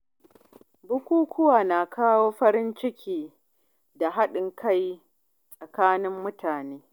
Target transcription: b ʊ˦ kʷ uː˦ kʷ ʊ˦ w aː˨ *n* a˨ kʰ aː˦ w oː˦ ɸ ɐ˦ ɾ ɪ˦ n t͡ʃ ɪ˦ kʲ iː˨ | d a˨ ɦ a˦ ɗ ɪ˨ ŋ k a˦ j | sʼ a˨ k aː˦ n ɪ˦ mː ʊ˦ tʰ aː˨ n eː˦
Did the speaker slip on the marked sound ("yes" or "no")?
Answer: no